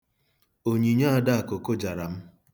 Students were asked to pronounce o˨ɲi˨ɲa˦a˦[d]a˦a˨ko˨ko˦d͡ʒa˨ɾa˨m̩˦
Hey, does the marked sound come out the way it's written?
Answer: yes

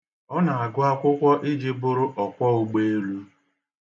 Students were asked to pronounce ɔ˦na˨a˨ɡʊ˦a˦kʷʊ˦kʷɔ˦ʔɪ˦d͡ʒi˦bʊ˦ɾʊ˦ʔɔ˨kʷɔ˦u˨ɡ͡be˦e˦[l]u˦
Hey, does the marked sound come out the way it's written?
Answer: yes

